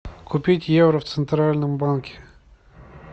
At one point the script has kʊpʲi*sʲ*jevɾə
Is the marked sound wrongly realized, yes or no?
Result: yes